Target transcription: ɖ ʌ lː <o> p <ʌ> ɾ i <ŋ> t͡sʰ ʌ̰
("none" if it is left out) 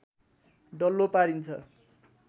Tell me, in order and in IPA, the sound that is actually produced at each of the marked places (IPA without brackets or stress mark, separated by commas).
o, a, n